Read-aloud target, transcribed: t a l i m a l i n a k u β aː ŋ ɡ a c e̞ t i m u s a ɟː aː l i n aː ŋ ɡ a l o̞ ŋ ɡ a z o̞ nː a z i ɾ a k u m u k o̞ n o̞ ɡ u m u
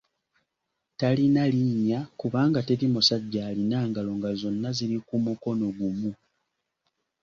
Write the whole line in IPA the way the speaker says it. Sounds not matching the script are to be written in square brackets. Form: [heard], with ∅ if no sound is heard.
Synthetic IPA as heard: t a l i [n] a l i [ɲ] a k u β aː ŋ ɡ a [t] e̞ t i m u s a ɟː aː l i n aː ŋ ɡ a l o̞ ŋ ɡ a z o̞ nː a z i ɾ [i] k u m u k o̞ n o̞ ɡ u m u